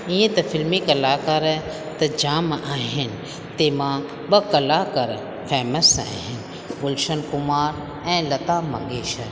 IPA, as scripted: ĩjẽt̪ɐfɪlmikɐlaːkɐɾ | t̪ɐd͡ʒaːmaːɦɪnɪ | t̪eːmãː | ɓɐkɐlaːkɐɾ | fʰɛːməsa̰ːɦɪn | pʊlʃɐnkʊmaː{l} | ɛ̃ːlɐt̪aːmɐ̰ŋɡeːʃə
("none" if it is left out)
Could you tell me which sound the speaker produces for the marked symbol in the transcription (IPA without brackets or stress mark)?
ɾ